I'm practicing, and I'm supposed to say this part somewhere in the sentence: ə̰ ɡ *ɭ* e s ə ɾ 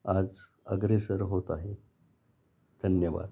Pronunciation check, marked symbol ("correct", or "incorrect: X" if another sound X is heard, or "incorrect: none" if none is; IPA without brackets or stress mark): incorrect: ɾ